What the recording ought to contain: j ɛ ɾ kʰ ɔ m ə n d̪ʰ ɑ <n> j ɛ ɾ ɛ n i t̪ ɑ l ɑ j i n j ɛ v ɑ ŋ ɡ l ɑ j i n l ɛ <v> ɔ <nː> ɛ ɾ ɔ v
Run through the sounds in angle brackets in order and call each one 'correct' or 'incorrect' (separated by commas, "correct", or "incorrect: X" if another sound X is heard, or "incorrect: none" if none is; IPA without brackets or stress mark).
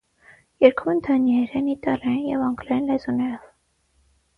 correct, incorrect: z, incorrect: n